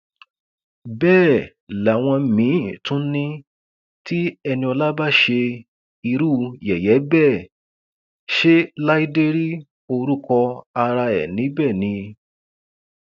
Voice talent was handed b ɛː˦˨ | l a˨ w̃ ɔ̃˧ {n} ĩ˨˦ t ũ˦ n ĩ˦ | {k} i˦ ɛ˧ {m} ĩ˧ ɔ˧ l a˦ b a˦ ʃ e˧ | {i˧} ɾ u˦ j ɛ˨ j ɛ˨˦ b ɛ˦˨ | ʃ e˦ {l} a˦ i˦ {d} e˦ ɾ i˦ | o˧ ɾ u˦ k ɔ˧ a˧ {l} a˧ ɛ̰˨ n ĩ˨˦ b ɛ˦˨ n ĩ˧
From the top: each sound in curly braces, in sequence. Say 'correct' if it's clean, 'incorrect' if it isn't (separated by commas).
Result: incorrect, incorrect, incorrect, correct, correct, correct, incorrect